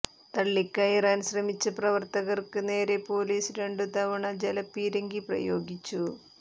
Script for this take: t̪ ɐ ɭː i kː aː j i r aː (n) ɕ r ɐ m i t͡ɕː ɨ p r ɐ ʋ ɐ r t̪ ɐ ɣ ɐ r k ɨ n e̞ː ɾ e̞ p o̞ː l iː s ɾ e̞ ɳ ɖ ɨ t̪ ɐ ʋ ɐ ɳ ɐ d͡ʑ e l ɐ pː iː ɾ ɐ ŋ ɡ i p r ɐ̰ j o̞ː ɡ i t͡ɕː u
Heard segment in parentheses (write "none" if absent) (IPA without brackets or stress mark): n